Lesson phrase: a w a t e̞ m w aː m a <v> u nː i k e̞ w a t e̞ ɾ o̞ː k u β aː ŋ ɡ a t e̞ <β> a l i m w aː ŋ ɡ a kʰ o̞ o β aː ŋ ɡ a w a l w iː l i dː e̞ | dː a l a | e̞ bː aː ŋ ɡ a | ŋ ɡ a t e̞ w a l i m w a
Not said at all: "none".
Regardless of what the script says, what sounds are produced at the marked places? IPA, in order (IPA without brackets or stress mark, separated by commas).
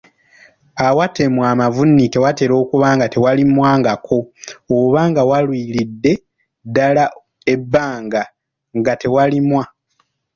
v, w